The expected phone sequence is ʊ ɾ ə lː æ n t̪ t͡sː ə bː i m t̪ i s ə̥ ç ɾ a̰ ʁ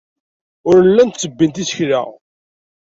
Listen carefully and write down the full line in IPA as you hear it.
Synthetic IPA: ʊ ɾ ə lː æ n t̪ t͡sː ə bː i n t̪ i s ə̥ ç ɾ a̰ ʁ